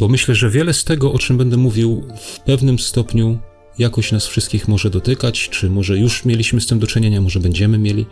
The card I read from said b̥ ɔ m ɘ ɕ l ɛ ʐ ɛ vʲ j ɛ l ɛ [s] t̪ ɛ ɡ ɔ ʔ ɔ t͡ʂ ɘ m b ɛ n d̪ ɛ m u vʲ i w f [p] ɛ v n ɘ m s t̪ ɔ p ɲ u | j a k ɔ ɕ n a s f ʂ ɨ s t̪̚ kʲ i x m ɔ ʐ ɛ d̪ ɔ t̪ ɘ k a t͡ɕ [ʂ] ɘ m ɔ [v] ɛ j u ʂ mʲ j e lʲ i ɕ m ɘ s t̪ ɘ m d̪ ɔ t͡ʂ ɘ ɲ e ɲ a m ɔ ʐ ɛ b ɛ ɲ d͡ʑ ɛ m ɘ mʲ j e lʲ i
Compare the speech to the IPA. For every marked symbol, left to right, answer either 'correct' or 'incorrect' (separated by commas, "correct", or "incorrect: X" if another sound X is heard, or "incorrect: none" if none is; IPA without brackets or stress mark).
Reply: correct, correct, incorrect: t͡ʂ, incorrect: ʐ